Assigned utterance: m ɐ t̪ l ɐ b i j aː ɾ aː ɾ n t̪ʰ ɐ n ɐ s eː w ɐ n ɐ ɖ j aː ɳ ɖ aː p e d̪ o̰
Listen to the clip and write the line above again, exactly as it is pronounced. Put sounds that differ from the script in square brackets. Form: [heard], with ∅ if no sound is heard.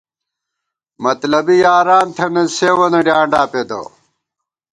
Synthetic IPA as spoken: m ɐ t̪ l ɐ b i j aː ɾ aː [∅] n t̪ʰ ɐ n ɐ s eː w ɐ n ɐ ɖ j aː ɳ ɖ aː p e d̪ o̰